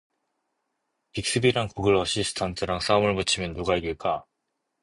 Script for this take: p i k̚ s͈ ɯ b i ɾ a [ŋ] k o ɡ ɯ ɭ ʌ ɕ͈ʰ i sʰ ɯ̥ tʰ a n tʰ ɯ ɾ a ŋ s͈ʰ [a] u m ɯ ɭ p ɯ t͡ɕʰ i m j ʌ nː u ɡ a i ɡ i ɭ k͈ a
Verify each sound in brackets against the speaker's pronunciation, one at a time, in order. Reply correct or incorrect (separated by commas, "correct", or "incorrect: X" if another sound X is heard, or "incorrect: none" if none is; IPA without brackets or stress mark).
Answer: correct, correct